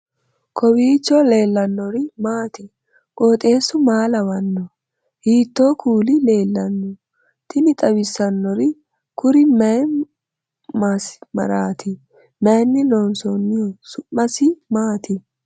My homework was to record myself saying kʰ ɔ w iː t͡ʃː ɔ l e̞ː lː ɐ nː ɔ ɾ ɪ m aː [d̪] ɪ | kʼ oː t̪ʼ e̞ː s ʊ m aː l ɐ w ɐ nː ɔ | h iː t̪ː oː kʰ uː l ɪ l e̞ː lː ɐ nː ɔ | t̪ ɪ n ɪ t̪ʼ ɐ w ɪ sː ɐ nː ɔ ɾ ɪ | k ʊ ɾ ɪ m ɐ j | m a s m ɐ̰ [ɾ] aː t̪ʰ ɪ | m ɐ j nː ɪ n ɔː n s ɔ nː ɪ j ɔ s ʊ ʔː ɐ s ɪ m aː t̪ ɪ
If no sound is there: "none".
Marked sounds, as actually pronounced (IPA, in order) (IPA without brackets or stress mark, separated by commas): t̪, ɾ